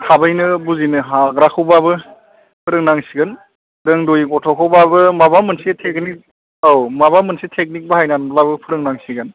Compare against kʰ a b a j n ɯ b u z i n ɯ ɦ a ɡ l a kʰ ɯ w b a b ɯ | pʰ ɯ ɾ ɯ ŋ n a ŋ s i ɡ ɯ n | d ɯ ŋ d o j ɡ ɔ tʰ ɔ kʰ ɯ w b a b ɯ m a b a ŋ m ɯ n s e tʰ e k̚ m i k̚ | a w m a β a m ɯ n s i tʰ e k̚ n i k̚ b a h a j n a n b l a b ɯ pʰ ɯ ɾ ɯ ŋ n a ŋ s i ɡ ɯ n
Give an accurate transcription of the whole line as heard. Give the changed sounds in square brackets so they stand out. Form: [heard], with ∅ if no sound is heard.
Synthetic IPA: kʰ a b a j n ɯ b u z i n ɯ ɦ a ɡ [ɾ] a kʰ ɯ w b a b ɯ | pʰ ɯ ɾ ɯ ŋ n a ŋ s i ɡ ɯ n | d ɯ ŋ d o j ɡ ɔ tʰ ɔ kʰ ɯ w b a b ɯ m a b a [∅] m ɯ n s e tʰ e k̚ [n] i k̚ | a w m a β a m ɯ n s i tʰ e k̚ n i k̚ b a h a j n a n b l a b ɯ pʰ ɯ ɾ ɯ ŋ n a ŋ s i ɡ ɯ n